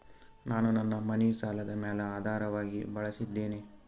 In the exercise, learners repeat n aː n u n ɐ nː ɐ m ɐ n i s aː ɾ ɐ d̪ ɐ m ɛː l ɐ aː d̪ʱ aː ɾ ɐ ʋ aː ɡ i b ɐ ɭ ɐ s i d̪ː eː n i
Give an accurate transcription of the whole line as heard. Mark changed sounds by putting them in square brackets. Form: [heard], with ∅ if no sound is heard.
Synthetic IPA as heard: n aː n u n ɐ nː ɐ m ɐ n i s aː [l] ɐ d̪ ɐ m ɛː l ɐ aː d̪ʱ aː ɾ ɐ ʋ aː ɡ i b ɐ ɭ ɐ s i d̪ː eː n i

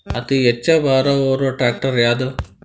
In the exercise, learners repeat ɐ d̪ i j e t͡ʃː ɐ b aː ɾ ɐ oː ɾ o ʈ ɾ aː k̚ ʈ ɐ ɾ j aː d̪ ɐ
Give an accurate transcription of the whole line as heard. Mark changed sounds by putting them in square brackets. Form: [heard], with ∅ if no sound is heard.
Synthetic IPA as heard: ɐ [t̪] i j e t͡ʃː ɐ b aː ɾ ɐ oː ɾ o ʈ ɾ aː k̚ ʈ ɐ ɾ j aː d̪ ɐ

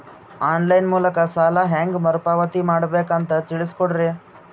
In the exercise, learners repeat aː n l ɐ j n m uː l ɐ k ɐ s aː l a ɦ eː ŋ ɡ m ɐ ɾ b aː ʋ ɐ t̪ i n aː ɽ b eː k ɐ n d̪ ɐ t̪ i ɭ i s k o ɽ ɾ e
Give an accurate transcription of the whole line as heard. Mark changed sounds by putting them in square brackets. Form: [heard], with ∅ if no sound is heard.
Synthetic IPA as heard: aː n l ɐ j n m uː l ɐ k ɐ s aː l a ɦ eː ŋ ɡ m ɐ ɾ [p] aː ʋ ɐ t̪ i [m] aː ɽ b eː k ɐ n [t̪] ɐ t̪ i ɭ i s k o ɽ ɾ e

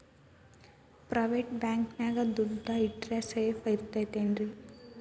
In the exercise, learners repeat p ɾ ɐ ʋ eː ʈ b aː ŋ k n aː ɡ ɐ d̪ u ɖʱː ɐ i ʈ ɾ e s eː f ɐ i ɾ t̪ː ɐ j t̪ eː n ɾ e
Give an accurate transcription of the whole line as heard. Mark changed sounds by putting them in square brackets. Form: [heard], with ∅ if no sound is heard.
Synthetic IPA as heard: p ɾ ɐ ʋ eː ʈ b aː ŋ k n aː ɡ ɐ d̪ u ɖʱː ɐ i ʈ ɾ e s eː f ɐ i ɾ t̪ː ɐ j t̪ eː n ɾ [i]

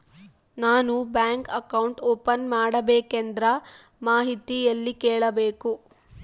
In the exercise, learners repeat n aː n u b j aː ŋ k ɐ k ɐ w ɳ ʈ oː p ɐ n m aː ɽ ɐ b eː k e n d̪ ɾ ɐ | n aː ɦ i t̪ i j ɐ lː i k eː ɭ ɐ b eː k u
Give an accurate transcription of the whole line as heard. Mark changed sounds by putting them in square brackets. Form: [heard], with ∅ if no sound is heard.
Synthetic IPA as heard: n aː n u b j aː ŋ k ɐ k ɐ w ɳ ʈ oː p ɐ n m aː ɽ ɐ b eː k e n d̪ ɾ ɐ | [m] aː ɦ i t̪ i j ɐ lː i k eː ɭ ɐ b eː k u

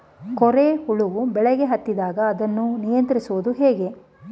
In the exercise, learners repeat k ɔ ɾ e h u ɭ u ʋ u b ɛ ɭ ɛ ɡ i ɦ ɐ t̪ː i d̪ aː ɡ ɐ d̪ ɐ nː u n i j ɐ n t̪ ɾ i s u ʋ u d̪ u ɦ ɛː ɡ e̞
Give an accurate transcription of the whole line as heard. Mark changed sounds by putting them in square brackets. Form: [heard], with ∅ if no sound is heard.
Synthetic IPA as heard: k ɔ ɾ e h u ɭ u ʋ u b ɛ ɭ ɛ ɡ [e] ɦ ɐ t̪ː i d̪ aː ɡ [ɐː] d̪ ɐ nː u n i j ɐ n t̪ ɾ i s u ʋ u d̪ u ɦ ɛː ɡ e̞

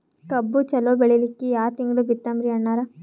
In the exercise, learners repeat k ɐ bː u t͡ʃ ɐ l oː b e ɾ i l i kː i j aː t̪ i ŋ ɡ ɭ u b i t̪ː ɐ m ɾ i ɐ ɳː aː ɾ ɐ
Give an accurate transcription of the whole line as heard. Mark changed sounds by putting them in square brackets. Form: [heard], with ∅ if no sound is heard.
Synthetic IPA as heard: k ɐ bː u t͡ʃ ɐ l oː b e [ɭ] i l i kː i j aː t̪ i ŋ ɡ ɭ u b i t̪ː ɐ m ɾ i ɐ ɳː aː ɾ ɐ

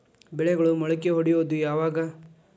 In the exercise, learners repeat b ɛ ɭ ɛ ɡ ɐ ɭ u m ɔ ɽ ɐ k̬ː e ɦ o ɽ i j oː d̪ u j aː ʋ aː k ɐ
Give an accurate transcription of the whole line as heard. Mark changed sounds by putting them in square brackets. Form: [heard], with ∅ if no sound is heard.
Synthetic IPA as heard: b ɛ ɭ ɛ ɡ ɐ ɭ u m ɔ [ɭ] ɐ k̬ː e ɦ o ɽ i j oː d̪ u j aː ʋ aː [ɡ] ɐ

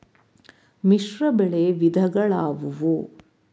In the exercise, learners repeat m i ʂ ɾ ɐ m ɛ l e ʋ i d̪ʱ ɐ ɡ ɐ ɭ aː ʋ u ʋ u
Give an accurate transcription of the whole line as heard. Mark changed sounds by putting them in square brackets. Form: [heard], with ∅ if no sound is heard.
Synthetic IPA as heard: m i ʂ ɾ ɐ [b] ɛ [ɭ] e ʋ i d̪ʱ ɐ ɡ ɐ ɭ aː ʋ u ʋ u

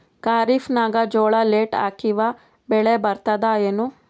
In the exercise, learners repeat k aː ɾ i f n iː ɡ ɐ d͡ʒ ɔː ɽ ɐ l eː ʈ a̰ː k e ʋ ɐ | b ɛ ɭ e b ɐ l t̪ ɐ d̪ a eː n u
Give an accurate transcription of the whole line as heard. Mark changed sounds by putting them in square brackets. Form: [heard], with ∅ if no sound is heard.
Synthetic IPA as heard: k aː ɾ i f n [aː] ɡ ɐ d͡ʒ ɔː [ɭ] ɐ l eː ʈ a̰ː k [i] ʋ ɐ | b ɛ ɭ e b ɐ [ɾ] t̪ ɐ d̪ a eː n u

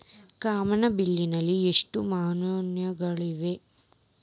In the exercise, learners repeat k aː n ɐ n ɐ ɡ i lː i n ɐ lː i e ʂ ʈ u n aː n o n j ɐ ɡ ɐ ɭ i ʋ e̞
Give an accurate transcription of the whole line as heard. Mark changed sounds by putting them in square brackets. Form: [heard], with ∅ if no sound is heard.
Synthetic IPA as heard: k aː [m] ɐ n ɐ [b] i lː i n ɐ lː i e ʂ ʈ u [m] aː n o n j ɐ ɡ ɐ ɭ i ʋ e̞

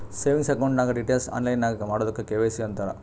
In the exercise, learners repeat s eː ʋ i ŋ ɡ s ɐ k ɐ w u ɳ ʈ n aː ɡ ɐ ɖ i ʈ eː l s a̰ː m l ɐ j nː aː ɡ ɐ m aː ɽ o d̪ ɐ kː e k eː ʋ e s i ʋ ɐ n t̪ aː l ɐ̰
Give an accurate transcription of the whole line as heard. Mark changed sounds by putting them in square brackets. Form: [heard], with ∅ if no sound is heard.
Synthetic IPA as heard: s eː ʋ i ŋ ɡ s ɐ k ɐ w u ɳ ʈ n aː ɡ ɐ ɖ i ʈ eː l s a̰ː [n] l ɐ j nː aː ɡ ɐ m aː ɽ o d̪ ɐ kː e k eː ʋ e s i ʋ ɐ n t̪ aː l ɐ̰

